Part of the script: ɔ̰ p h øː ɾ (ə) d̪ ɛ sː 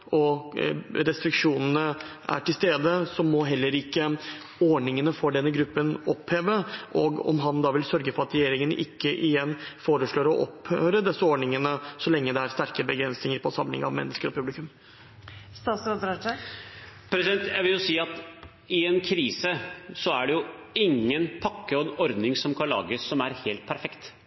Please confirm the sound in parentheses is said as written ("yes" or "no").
yes